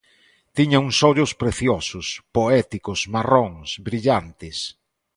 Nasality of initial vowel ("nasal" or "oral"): oral